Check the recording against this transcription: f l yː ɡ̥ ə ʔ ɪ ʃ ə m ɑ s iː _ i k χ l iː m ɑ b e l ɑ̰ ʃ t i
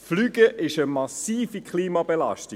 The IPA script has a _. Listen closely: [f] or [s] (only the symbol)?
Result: f